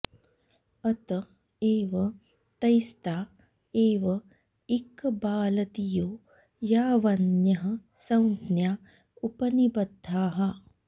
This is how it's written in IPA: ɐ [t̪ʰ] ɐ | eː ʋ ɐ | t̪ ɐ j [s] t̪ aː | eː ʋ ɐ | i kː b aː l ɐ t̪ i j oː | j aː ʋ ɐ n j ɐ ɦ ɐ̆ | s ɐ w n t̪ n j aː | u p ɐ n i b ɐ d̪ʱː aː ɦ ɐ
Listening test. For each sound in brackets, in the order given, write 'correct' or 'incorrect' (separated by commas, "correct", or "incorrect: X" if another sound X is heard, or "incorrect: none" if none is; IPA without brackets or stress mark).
incorrect: t̪, correct